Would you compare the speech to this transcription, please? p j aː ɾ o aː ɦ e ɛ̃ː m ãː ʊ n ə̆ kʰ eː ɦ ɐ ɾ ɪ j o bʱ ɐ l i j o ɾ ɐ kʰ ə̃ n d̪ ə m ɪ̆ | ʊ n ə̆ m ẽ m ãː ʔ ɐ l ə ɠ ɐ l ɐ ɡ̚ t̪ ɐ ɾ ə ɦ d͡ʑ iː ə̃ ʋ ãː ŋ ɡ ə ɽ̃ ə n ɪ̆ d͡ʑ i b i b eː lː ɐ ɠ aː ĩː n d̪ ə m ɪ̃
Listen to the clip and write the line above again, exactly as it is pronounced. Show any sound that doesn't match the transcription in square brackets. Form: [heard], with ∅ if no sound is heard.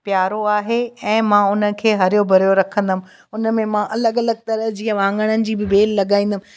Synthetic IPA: p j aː ɾ o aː ɦ e ɛ̃ː m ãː ʊ n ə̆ kʰ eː ɦ ɐ ɾ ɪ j o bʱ ɐ [ɾ] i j o ɾ ɐ kʰ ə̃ n d̪ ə m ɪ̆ | ʊ n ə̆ m ẽ m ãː ʔ ɐ l ə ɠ ɐ l [ə] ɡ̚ t̪ ɐ ɾ ə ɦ d͡ʑ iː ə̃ ʋ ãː ŋ ɡ ə ɽ̃ ə n ɪ̆ d͡ʑ [iː] b [ɪ] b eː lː ɐ ɠ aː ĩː n d̪ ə m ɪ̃